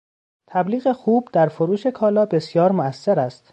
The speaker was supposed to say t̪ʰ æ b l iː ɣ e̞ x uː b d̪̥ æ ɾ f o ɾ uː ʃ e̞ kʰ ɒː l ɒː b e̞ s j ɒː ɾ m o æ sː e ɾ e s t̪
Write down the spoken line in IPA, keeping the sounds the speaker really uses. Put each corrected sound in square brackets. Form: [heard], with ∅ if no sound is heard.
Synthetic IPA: t̪ʰ æ b l iː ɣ e̞ x uː b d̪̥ æ ɾ f o ɾ uː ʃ e̞ kʰ ɒː l ɒː b e̞ s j ɒː ɾ m o æ sː e ɾ [æ] s t̪